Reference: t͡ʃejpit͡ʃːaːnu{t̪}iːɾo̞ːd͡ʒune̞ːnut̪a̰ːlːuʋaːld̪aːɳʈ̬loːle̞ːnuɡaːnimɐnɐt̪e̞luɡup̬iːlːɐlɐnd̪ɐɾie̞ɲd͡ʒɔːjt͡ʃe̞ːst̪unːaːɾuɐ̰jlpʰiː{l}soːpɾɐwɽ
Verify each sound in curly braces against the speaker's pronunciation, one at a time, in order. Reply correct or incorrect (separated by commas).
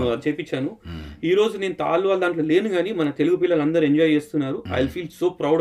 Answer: incorrect, correct